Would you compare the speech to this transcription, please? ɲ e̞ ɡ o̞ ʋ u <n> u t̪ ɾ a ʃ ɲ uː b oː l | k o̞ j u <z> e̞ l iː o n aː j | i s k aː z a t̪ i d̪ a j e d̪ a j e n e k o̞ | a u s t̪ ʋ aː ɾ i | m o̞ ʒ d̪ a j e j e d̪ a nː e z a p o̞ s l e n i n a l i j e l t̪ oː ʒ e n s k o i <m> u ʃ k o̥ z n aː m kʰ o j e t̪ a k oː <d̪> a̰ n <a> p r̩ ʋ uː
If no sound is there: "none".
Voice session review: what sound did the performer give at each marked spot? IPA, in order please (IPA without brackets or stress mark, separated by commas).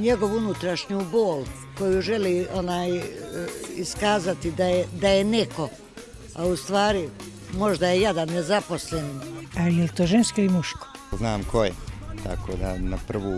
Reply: n, ʒ, m, d̪, a